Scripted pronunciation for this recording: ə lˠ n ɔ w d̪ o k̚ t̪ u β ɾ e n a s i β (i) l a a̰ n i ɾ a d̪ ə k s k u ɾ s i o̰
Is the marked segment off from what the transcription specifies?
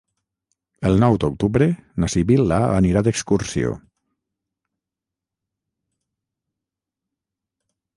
no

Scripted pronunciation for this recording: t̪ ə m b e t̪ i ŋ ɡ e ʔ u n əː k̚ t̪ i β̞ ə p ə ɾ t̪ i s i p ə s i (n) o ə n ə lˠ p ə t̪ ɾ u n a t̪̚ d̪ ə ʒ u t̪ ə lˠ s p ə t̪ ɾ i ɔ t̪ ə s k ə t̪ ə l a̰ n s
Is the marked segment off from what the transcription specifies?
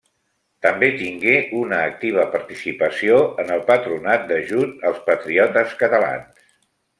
yes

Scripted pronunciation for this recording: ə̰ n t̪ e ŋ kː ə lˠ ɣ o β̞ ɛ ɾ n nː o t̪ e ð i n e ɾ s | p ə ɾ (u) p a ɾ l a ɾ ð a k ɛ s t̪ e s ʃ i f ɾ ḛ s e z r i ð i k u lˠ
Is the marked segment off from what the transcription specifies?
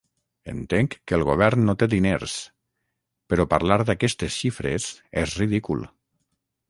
yes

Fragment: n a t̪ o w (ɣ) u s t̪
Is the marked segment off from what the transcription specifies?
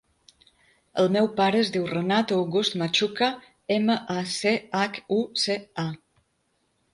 no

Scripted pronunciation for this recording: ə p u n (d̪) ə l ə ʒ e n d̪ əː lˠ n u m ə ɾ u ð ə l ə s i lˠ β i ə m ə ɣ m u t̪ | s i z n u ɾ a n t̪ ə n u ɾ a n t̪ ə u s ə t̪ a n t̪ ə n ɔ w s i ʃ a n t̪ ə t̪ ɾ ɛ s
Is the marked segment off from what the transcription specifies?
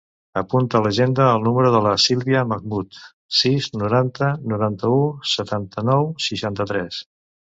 yes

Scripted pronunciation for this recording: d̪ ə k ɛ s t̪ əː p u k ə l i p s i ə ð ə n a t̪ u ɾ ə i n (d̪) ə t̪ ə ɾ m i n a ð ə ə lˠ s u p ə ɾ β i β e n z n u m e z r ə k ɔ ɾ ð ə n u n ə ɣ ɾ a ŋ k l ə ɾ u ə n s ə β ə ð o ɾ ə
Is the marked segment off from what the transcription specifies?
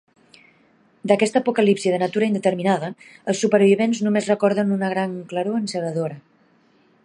no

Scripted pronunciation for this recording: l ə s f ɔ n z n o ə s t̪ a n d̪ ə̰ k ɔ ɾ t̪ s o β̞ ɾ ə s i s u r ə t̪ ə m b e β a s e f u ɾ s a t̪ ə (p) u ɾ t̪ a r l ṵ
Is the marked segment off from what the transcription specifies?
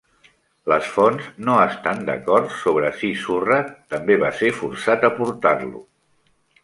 no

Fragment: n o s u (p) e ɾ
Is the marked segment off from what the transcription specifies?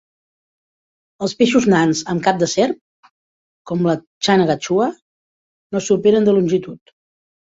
no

